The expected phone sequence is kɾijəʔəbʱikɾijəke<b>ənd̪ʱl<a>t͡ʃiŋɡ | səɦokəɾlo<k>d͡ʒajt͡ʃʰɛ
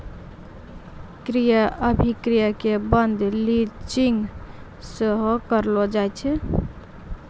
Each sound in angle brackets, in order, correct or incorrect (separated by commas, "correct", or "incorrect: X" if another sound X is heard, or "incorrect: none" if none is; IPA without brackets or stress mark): correct, incorrect: i, incorrect: none